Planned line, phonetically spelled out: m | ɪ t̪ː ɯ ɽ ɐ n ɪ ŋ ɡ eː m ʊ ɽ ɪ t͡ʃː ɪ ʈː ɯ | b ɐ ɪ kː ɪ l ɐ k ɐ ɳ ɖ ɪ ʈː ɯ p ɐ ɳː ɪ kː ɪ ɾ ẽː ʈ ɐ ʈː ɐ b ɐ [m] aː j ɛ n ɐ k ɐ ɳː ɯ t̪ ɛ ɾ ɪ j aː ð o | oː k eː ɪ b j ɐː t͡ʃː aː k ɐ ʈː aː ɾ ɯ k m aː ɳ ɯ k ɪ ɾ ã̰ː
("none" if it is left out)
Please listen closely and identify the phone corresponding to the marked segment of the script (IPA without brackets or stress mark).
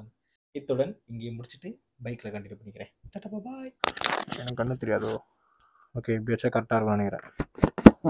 b